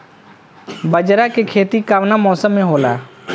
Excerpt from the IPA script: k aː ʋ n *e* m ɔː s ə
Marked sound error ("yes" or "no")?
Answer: yes